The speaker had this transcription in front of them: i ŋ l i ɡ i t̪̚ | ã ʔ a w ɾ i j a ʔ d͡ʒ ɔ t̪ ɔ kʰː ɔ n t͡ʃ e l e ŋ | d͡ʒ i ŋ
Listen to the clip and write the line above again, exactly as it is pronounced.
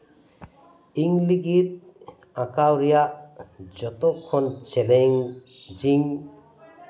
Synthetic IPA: i ŋ l i ɡ i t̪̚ | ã k a w ɾ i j a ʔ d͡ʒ ɔ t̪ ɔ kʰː ɔ n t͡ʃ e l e ŋ | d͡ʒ i ŋ